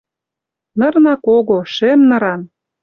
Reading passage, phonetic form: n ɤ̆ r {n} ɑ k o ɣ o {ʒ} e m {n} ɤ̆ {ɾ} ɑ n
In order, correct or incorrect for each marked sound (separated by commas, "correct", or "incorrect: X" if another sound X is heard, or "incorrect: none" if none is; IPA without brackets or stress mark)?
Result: correct, incorrect: ʃ, correct, correct